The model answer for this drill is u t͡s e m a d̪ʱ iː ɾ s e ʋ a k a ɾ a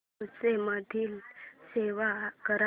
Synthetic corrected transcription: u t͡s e m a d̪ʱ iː l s e ʋ a k ə ɾ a